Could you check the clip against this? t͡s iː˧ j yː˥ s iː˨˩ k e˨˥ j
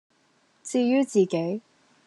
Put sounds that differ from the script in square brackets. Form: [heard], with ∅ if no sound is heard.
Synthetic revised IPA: t͡s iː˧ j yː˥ [t͡s] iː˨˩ k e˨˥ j